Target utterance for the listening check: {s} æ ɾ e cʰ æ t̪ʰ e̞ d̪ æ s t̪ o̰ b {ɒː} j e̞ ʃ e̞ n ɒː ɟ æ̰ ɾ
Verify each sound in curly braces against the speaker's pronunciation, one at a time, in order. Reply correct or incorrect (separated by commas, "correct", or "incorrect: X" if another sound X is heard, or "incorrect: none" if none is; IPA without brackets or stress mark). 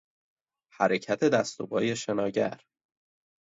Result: incorrect: h, correct